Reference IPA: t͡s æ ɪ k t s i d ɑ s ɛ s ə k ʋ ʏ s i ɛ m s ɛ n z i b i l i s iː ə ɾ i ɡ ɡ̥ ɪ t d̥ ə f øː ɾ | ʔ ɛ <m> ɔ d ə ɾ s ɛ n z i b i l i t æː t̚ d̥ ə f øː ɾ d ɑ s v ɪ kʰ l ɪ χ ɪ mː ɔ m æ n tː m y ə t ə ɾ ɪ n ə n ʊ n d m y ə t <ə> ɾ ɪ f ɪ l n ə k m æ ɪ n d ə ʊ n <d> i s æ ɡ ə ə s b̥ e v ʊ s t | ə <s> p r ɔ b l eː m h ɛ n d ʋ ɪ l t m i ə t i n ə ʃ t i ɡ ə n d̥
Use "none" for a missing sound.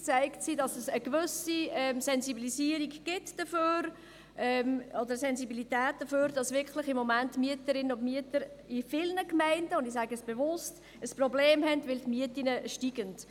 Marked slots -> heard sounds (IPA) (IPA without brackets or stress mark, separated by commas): m, ə, d, s